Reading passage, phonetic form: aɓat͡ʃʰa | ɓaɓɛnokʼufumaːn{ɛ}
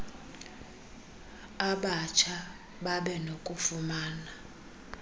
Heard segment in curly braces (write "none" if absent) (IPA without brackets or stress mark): a